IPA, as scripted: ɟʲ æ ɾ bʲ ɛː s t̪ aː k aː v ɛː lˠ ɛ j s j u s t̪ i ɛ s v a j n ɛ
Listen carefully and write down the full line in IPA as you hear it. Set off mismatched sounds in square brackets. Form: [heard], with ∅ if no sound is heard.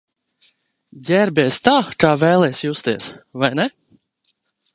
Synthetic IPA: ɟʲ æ ɾ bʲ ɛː s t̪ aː k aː v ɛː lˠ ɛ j s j u s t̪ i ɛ s v a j n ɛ